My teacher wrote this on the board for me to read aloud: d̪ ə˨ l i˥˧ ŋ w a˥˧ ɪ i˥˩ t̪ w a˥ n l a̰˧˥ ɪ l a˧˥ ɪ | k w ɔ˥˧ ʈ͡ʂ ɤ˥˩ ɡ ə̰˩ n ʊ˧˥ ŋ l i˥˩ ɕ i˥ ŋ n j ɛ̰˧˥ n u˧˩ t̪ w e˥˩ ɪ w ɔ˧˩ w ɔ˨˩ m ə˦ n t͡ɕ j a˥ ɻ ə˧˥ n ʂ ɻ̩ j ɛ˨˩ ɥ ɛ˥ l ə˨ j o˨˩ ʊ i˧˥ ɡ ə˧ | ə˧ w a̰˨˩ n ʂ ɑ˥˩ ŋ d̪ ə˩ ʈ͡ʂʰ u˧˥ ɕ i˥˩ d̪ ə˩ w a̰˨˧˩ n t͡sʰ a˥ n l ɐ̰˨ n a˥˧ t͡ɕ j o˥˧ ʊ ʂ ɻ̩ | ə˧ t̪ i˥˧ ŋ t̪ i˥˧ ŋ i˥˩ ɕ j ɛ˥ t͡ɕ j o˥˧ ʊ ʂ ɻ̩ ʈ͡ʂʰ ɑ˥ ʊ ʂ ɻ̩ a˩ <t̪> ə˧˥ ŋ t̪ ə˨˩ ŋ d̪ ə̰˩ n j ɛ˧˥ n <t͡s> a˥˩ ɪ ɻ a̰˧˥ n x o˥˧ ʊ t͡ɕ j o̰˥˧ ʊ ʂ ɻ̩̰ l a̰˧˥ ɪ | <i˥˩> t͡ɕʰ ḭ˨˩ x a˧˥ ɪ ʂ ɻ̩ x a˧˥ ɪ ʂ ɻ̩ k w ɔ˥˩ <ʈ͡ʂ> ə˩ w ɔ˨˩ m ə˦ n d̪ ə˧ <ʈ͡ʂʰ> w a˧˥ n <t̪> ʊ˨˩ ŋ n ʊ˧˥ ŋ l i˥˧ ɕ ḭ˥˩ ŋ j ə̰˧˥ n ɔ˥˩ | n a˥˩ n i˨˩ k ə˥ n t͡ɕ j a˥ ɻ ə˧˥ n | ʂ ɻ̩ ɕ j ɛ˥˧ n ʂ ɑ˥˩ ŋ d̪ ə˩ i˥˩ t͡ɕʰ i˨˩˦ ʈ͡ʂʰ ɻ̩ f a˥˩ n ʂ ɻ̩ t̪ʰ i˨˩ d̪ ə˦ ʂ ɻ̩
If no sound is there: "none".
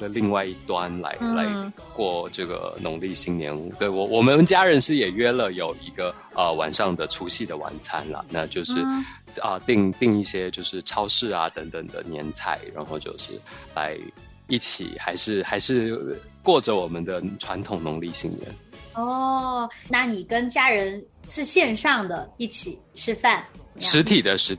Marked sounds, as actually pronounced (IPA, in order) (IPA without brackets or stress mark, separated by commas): t̪, t͡sʰ, i˥˩, ʈ͡ʂ, ʈ͡ʂʰ, t̪ʰ